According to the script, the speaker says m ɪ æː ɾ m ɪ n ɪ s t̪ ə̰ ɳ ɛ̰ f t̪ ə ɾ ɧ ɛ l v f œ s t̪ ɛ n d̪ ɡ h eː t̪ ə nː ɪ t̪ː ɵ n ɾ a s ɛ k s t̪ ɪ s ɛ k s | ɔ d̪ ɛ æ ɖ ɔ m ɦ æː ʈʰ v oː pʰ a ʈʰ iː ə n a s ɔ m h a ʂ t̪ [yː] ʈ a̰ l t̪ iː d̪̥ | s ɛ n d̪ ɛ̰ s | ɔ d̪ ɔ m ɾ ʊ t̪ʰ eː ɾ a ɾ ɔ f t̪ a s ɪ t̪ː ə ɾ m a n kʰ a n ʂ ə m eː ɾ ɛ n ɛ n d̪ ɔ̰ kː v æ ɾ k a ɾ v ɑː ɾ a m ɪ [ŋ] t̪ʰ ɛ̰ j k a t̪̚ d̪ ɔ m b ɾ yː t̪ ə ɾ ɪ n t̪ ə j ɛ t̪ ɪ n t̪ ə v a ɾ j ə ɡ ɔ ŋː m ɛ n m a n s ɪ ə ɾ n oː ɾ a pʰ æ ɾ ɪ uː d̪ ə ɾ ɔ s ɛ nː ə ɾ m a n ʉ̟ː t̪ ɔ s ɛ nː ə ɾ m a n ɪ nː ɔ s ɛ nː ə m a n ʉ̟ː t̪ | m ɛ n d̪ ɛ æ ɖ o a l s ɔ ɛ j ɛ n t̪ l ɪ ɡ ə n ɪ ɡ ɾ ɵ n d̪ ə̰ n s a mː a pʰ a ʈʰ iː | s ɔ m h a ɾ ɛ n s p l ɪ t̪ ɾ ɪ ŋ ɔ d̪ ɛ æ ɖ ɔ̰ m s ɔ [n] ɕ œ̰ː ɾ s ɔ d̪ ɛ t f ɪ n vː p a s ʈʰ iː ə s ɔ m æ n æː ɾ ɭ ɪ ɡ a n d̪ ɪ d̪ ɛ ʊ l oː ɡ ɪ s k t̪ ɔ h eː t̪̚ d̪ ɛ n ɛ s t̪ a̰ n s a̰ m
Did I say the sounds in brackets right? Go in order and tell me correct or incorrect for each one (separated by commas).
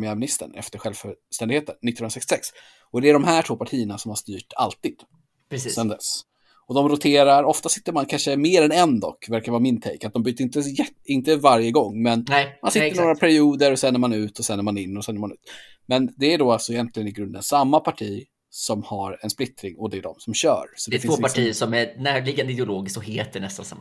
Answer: correct, incorrect, incorrect